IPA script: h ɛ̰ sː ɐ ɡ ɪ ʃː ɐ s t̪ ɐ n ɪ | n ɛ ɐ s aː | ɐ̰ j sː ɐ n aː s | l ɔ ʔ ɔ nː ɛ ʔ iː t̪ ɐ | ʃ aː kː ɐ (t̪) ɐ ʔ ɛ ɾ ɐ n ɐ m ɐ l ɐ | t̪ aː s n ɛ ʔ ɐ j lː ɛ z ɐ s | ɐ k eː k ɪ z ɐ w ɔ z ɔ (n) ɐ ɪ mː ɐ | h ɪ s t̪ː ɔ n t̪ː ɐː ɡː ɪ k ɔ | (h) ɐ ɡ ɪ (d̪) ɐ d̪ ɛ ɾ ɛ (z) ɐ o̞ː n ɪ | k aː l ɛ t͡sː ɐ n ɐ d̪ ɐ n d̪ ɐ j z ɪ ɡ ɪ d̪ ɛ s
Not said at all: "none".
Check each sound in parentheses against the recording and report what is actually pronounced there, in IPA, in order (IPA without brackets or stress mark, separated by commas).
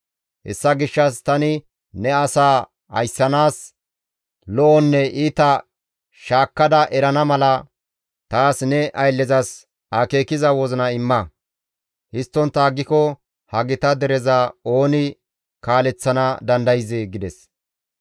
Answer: d̪, n, h, t̪, z